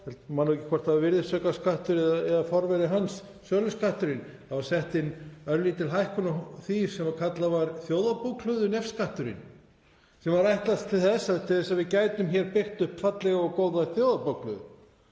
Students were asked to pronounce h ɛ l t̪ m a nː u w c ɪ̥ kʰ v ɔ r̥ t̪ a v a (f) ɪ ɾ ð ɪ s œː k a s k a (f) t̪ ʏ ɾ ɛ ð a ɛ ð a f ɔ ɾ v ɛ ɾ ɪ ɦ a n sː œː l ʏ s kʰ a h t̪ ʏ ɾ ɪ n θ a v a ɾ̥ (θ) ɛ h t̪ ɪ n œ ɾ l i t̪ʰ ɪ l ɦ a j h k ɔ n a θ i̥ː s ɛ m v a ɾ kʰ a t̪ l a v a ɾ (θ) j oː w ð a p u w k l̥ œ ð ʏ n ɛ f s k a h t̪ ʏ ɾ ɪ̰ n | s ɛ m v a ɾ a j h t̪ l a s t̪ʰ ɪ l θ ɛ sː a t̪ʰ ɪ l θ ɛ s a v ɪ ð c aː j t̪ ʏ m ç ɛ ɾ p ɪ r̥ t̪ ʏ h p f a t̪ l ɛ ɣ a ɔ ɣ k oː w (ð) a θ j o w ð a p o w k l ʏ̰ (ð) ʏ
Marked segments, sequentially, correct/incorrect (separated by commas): incorrect, incorrect, incorrect, correct, correct, correct